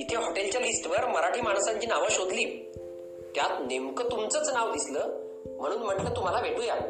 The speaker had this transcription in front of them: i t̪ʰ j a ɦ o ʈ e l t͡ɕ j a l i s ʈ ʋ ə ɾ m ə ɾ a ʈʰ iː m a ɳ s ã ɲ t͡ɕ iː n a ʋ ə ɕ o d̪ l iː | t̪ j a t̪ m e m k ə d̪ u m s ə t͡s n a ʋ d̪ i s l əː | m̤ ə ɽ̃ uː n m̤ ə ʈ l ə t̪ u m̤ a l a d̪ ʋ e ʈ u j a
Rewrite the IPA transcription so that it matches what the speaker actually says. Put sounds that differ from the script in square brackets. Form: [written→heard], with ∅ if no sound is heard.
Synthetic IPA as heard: i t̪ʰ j a ɦ o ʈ e l t͡ɕ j a l i s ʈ ʋ ə ɾ m ə ɾ a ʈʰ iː m a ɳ s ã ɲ t͡ɕ iː n a ʋ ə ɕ o d̪ l iː | t̪ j a t̪ [m→n] e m k ə [d̪→t̪] u m [s→t͡s] ə t͡s n a ʋ d̪ i s l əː | m̤ ə ɽ̃ uː n m̤ ə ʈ l ə t̪ u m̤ a l a [d̪→∅] ʋ e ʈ u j a